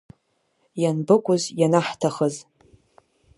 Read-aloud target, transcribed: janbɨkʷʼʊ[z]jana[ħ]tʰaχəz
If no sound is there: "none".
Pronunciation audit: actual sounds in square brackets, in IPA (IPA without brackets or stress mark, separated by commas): z, ħ